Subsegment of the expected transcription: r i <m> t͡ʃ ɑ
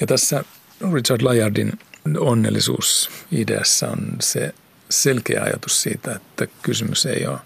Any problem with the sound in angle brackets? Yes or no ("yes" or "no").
yes